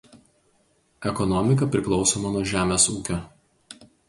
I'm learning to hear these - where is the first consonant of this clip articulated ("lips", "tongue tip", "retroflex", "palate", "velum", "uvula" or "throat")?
velum